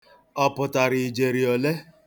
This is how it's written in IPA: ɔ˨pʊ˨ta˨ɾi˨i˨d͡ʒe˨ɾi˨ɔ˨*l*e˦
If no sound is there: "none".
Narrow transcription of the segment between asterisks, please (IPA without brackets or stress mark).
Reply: l